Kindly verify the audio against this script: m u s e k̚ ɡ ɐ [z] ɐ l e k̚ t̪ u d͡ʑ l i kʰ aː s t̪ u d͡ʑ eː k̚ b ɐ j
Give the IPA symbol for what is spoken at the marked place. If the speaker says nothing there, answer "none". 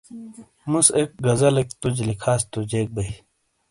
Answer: z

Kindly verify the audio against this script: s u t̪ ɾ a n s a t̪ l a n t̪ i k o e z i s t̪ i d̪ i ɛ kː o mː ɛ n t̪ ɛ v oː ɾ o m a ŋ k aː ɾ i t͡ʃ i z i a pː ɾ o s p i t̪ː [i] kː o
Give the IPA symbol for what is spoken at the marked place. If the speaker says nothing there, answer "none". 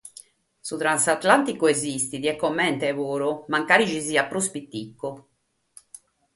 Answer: i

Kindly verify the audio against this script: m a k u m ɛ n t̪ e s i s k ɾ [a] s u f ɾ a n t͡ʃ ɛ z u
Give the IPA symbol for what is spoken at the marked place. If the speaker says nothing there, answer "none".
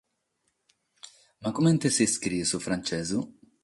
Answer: i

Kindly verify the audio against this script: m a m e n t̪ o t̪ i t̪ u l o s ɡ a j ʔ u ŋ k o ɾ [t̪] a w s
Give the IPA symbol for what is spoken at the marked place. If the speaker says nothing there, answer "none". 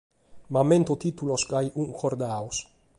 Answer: d̪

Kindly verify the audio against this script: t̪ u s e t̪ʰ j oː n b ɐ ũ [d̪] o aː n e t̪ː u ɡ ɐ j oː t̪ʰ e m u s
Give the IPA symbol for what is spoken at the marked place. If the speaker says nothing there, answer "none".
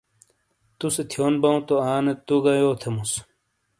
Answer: t̪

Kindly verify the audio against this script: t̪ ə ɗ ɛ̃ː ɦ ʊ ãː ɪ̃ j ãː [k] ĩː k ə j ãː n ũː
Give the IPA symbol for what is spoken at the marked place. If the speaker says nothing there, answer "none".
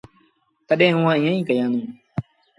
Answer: none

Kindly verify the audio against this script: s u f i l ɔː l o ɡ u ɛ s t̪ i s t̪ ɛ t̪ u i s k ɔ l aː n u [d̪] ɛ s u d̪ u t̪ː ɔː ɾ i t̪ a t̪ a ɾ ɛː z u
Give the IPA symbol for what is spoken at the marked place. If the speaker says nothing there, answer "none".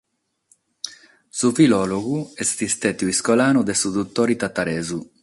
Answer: d̪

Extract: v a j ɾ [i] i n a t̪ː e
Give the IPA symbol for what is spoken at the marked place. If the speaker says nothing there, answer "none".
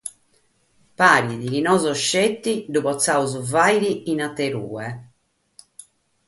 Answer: i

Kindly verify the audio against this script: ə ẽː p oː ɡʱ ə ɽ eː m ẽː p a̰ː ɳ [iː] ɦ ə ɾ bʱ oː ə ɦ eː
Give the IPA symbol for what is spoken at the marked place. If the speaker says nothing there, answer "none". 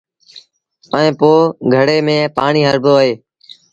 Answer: iː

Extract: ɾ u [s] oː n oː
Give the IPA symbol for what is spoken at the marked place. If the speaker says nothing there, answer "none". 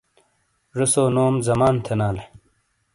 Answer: s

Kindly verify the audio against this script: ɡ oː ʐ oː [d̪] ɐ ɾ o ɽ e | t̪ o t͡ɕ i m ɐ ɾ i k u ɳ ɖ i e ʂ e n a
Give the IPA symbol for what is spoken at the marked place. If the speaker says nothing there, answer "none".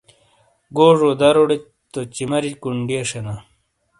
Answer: d̪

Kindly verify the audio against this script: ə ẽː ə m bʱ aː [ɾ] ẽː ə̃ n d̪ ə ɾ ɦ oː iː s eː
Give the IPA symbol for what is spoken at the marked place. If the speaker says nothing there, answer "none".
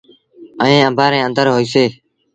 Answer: ɾ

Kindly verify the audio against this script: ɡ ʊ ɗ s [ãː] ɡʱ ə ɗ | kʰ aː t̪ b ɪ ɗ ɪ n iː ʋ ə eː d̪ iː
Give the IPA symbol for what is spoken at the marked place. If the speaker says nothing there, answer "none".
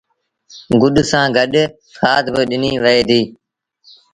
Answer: ãː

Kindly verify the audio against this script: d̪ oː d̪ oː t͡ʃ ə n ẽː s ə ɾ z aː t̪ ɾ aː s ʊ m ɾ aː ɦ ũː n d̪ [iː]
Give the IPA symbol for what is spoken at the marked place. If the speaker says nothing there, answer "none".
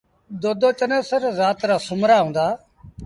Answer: aː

